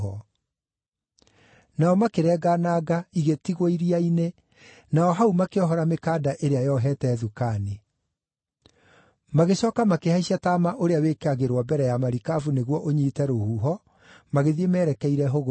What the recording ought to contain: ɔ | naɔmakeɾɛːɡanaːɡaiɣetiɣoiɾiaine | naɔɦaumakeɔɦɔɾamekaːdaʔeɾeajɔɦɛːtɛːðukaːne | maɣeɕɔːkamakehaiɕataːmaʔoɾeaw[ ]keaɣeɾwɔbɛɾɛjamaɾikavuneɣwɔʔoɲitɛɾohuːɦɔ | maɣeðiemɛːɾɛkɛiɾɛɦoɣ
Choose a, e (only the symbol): e